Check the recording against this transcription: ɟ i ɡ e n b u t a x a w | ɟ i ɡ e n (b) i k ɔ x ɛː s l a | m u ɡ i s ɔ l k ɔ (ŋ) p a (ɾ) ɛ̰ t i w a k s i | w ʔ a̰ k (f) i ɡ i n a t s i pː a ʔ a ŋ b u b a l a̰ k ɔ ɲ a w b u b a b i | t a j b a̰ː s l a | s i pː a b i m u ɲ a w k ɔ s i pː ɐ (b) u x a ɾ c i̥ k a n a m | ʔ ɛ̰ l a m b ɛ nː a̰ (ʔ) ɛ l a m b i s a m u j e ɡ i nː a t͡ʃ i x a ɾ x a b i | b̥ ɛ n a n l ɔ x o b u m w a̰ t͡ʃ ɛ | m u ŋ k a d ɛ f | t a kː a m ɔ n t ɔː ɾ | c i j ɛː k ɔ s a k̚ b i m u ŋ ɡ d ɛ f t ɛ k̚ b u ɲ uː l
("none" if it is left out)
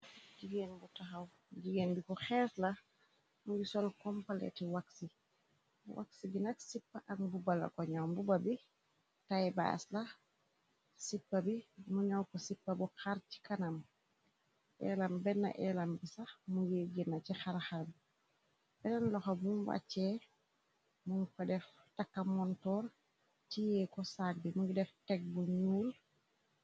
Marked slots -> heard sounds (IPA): b, m, l, s, b, ʔ

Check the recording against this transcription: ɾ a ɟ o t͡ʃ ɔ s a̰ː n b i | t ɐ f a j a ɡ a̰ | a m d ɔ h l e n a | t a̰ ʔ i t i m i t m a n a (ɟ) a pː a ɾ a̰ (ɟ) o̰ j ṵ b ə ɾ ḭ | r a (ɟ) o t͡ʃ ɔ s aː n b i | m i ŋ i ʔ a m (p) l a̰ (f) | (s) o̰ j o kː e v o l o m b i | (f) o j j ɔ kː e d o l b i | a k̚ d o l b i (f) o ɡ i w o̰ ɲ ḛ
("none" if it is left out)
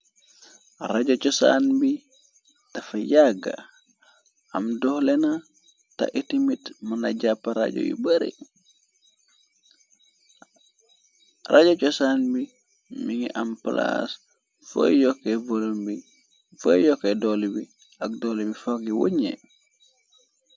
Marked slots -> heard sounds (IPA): ɟ, ɟ, ɟ, p, s, f, f, f

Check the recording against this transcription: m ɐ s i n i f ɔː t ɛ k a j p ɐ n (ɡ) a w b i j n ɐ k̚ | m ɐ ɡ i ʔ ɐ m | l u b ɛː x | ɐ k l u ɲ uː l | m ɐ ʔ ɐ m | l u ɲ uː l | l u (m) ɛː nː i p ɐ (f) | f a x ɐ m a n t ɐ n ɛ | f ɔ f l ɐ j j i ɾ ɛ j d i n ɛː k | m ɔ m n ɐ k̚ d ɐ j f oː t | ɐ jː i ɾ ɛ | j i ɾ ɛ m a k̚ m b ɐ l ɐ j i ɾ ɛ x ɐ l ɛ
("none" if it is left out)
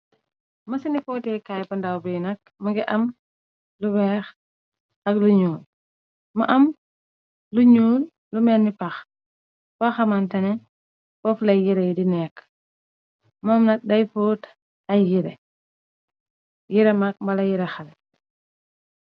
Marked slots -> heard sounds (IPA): d, m, x

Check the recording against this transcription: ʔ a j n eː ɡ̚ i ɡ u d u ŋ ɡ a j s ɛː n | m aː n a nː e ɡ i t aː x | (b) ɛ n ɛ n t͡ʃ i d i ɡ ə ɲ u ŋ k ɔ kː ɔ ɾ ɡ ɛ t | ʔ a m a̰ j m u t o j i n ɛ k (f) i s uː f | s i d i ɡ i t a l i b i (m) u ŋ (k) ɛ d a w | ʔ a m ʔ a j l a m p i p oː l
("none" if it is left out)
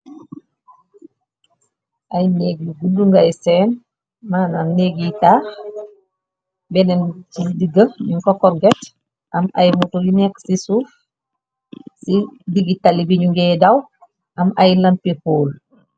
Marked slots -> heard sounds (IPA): b, s, ɲ, ɡ

